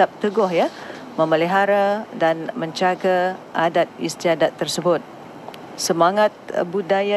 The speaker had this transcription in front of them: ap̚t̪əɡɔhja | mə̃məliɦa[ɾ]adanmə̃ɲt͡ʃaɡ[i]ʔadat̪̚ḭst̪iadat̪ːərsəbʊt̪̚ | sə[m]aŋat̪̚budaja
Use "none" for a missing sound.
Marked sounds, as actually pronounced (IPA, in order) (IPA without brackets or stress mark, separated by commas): ɾ, a, m